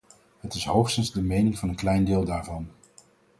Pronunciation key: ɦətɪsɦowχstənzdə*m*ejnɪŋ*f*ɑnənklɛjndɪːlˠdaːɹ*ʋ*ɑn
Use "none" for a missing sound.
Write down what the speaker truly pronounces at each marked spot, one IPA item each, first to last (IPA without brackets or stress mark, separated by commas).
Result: m, v, v